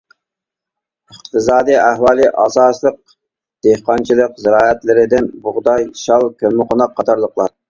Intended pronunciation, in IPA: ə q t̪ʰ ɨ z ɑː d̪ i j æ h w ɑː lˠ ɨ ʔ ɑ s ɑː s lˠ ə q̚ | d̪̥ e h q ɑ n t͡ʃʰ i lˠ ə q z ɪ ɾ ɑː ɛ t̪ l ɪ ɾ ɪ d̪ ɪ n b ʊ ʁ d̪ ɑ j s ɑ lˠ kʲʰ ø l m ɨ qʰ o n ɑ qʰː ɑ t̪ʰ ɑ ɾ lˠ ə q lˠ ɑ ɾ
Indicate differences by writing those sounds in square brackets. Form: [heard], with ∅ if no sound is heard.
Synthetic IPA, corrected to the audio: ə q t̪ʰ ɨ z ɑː d̪ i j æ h w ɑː lˠ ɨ ʔ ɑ s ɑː s lˠ ə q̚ | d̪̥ e h q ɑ n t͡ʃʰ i lˠ ə q z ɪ ɾ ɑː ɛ t̪ l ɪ ɾ ɪ d̪ ɪ n b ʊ ʁ d̪ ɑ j [ʃ] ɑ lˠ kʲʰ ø l m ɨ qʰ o n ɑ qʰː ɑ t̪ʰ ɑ ɾ lˠ ə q lˠ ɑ ɾ